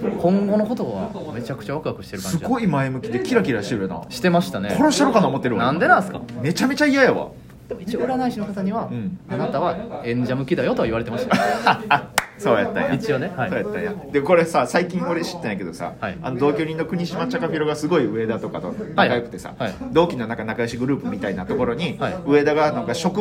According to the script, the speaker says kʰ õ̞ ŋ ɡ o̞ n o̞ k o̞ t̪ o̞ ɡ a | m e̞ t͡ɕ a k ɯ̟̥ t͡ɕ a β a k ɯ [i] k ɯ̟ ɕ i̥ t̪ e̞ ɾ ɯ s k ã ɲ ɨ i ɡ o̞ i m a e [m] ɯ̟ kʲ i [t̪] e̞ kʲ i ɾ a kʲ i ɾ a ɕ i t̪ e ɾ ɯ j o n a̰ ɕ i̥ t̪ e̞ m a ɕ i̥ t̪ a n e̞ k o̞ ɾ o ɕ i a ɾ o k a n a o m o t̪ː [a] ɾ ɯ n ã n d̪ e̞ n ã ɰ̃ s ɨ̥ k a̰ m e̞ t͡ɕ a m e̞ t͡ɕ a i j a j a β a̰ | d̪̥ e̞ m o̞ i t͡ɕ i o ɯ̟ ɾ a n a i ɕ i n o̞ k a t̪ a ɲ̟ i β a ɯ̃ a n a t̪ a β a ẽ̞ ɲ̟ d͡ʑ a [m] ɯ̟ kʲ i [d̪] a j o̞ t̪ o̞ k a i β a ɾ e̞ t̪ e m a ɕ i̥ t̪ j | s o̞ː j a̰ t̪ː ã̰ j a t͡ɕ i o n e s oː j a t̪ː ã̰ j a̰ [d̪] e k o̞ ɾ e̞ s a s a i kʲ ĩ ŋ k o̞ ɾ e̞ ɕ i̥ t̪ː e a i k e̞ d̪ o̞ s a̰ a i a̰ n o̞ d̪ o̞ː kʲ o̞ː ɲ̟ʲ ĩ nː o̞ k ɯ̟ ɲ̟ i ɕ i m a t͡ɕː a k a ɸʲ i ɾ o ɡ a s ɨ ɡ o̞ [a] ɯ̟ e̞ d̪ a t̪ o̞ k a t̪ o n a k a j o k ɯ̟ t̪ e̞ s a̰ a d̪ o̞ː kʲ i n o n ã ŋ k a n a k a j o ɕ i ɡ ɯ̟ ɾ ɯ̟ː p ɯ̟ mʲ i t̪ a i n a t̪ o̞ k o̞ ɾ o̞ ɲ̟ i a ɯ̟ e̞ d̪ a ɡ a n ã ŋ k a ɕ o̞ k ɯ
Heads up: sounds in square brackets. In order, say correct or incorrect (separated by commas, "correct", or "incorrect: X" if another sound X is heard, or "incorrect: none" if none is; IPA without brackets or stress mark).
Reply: incorrect: a, correct, incorrect: d̪, incorrect: e, correct, correct, correct, incorrect: i